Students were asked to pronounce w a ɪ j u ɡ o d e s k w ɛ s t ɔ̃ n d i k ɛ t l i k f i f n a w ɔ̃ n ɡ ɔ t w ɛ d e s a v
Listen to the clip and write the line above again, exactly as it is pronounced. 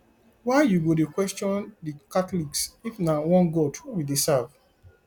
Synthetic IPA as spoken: w a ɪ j u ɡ o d e k w ɛ s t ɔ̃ n d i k a t l i k s i f n a w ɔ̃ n ɡ ɔ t w i d e s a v